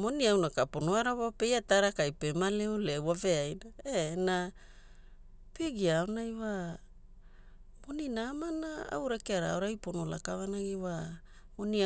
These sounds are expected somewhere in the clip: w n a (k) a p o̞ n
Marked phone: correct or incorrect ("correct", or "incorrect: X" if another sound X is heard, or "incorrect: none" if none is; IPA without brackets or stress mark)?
correct